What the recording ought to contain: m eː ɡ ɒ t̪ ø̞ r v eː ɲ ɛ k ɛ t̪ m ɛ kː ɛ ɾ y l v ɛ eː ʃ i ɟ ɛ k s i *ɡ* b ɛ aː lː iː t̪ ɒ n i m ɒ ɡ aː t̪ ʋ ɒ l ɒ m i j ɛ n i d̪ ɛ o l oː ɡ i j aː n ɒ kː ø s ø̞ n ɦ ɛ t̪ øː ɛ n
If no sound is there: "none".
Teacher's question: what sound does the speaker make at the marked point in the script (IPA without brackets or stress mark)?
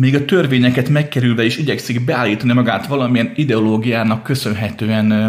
ɡ